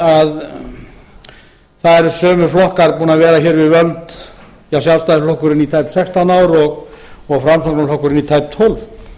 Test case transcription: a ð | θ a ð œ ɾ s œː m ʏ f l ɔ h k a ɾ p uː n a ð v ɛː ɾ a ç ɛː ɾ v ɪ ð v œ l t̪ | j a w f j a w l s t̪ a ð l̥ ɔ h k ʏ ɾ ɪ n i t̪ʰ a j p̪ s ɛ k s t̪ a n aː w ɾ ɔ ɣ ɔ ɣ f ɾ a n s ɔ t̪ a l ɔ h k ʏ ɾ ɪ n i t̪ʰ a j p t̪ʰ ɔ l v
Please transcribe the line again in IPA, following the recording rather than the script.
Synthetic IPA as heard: a ð | θ a ð ɛ ɾ s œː m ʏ f l ɔ h k a ɾ p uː n a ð v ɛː ɾ a ç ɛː ɾ v ɪ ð v œ l t̪ | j a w s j a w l s t̪ a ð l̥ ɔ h k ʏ ɾ ɪ n i t̪ʰ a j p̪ s ɛ k s t̪ a n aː w ɾ ɔ ɣ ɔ ɣ f ɾ a m s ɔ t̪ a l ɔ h k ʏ ɾ ɪ n i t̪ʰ a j p t̪ʰ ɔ l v